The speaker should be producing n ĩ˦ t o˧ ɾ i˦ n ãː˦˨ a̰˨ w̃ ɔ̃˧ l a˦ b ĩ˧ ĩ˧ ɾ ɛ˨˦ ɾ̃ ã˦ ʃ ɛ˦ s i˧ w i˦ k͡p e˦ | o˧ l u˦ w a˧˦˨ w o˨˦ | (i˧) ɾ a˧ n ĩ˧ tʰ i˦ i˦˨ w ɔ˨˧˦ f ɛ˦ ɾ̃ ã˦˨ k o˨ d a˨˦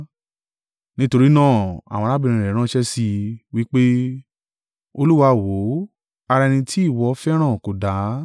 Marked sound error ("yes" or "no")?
yes